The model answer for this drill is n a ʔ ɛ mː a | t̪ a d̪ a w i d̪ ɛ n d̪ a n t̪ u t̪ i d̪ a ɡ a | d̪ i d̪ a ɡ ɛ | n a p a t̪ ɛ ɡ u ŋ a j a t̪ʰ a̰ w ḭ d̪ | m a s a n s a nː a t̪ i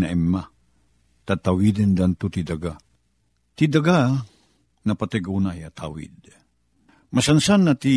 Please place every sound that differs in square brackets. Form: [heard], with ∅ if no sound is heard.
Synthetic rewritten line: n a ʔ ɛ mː a | t̪ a [t̪] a w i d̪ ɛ n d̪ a n t̪ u t̪ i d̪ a ɡ a | [t̪] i d̪ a ɡ [a] | n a p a t̪ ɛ ɡ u [n] a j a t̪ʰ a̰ w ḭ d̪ | m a s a n s a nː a t̪ i